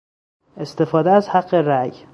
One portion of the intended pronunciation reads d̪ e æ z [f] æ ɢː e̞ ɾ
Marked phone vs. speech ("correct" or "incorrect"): incorrect